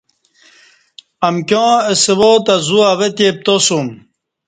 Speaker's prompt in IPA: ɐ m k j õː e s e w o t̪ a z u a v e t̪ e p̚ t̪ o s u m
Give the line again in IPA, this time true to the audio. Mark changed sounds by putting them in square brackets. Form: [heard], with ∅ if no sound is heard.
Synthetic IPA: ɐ m k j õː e s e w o t̪ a z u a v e t̪ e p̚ t̪ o s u m